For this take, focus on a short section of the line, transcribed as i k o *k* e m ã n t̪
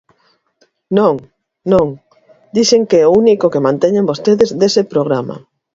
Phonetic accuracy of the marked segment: correct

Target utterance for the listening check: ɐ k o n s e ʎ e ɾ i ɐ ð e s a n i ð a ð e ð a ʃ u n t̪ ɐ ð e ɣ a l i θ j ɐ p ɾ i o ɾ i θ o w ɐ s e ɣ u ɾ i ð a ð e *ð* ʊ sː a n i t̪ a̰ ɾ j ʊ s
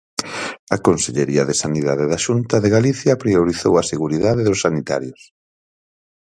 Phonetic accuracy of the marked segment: correct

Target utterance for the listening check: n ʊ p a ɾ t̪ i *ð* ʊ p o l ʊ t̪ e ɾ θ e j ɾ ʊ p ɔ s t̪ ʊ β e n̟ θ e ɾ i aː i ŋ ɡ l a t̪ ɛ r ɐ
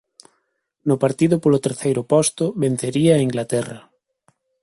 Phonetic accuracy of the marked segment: correct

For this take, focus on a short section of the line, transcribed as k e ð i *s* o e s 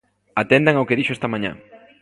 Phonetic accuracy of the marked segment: incorrect: ʃ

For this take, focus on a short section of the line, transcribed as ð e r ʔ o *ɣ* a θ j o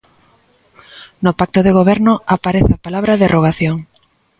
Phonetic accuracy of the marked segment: correct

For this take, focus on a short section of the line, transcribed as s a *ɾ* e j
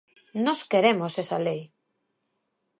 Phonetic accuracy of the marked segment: incorrect: l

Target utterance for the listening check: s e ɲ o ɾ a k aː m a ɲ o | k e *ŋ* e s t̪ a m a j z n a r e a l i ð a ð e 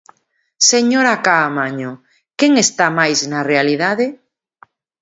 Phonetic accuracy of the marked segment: correct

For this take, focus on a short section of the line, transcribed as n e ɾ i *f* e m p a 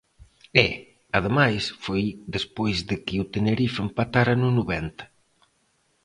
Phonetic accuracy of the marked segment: correct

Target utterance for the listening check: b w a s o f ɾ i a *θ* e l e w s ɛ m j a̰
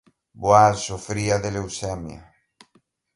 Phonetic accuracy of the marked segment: incorrect: ð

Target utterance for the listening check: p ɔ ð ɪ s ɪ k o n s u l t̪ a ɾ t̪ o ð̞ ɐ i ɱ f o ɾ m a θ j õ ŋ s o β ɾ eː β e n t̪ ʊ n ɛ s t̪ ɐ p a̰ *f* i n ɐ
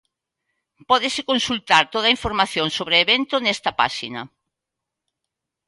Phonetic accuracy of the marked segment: incorrect: ʃ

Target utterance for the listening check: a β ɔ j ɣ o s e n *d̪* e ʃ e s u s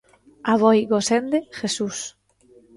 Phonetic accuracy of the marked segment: correct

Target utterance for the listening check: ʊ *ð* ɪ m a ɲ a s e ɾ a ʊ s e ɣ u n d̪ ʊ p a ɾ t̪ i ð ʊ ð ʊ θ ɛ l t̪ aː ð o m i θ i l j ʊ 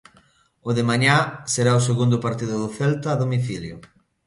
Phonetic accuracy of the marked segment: correct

